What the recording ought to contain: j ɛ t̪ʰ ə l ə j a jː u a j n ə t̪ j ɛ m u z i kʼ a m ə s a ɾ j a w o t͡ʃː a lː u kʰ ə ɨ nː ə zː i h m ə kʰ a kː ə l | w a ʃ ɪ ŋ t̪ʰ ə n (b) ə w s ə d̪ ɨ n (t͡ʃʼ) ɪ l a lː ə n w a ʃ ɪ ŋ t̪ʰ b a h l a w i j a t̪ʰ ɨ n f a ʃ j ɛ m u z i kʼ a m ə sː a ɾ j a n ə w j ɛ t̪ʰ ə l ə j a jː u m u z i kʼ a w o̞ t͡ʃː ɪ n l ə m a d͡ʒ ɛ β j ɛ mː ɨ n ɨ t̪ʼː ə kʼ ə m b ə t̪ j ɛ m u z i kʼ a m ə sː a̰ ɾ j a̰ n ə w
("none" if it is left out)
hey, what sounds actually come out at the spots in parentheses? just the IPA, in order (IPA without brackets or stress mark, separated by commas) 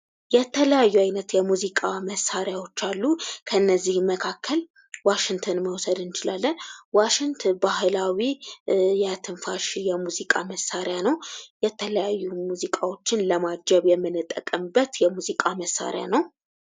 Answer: m, t͡ʃ